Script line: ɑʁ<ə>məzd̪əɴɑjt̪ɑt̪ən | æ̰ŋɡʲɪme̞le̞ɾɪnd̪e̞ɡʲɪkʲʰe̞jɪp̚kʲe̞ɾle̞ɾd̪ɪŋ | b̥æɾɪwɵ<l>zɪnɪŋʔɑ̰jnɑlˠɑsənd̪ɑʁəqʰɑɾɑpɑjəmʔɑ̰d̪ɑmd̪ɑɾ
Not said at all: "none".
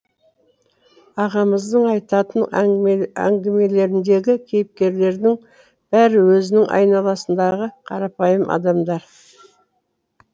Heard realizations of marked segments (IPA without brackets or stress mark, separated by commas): ɑ, none